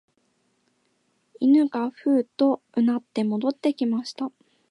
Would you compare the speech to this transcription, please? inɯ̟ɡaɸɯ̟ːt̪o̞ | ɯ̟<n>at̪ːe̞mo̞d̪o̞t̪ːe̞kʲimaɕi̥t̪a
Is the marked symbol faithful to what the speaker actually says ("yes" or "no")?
yes